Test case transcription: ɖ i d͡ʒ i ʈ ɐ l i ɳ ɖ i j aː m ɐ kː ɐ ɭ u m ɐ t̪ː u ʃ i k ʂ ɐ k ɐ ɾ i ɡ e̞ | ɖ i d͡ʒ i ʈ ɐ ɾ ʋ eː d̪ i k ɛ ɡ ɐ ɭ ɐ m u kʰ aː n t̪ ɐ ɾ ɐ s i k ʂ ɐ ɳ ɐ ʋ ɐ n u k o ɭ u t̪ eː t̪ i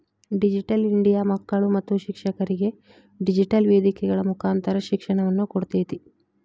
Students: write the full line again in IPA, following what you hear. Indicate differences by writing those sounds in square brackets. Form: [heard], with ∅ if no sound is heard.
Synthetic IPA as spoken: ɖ i d͡ʒ i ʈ ɐ l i ɳ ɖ i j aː m ɐ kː ɐ ɭ u m ɐ t̪ː u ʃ i k ʂ ɐ k ɐ ɾ i ɡ e̞ | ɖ i d͡ʒ i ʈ ɐ [l] ʋ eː d̪ i k ɛ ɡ ɐ ɭ ɐ m u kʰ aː n t̪ ɐ ɾ ɐ [ʃ] i k ʂ ɐ ɳ ɐ ʋ ɐ [nː] u k o [ɽ] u t̪ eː t̪ i

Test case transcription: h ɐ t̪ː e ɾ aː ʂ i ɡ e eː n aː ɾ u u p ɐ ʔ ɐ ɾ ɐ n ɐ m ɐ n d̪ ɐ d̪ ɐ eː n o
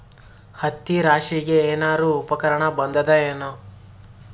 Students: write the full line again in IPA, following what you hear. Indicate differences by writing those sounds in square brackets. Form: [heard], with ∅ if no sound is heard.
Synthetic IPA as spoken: h ɐ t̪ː [i] ɾ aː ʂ i ɡ e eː n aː ɾ u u p ɐ [k] ɐ ɾ ɐ [ɳ] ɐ [b] ɐ n d̪ ɐ d̪ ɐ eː n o

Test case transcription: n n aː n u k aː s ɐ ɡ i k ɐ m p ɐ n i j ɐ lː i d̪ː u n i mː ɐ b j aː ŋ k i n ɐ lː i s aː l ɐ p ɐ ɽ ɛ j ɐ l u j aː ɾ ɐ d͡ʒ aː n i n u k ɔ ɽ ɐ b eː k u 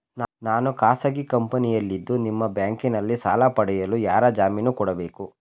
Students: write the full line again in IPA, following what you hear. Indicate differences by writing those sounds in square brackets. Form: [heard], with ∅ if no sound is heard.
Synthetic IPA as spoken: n n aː n u k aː s ɐ ɡ i k ɐ m p ɐ n i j ɐ lː i d̪ː u n i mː ɐ b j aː ŋ k i n ɐ lː i s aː l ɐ p ɐ ɽ ɛ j ɐ l u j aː ɾ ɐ d͡ʒ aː [m] i n u k ɔ ɽ ɐ b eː k u

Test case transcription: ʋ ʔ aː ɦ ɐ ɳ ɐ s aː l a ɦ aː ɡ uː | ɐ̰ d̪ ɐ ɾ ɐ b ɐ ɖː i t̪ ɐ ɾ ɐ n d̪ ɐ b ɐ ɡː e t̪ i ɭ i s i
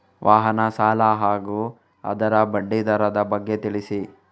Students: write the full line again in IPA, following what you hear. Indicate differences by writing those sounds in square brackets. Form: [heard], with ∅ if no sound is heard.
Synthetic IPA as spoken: ʋ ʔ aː ɦ ɐ [n] ɐ s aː l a ɦ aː ɡ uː | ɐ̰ d̪ ɐ ɾ ɐ b ɐ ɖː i [d̪] ɐ ɾ ɐ [∅] d̪ ɐ b ɐ ɡː e t̪ i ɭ i s i

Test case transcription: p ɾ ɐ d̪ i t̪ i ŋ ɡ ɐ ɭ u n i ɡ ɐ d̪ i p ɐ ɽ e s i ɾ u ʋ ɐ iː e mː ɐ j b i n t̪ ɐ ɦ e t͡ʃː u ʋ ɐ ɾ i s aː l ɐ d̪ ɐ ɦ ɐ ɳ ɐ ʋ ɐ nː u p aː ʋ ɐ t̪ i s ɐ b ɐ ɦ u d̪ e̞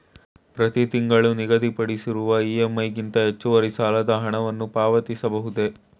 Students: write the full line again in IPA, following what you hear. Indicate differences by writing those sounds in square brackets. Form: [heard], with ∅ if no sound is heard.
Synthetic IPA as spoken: p ɾ ɐ [t̪] i t̪ i ŋ ɡ ɐ ɭ u n i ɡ ɐ d̪ i p ɐ ɽ [i] s i ɾ u ʋ ɐ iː e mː ɐ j [ɡ] i n t̪ ɐ ɦ e t͡ʃː u ʋ ɐ ɾ i s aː l ɐ d̪ ɐ ɦ ɐ ɳ ɐ ʋ ɐ nː u p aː ʋ ɐ t̪ i s ɐ b ɐ ɦ u d̪ e̞

